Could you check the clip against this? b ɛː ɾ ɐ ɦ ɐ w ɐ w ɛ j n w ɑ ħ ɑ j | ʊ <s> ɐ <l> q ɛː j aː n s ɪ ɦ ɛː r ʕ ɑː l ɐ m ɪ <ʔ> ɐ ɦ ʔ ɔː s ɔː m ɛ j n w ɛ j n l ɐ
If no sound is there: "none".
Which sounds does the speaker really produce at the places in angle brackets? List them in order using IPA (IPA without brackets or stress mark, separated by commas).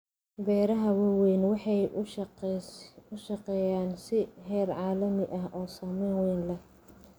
ʃ, none, ʔ